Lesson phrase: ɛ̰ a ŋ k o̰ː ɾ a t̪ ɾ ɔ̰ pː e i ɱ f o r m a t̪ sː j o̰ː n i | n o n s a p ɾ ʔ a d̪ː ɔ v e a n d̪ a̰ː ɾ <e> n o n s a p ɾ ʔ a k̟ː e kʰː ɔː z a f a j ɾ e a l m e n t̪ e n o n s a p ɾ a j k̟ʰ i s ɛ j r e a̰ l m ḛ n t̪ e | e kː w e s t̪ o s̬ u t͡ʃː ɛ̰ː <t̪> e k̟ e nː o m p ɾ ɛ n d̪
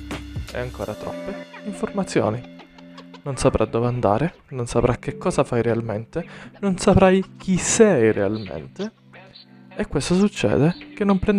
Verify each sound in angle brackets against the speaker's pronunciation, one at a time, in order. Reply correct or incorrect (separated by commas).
correct, incorrect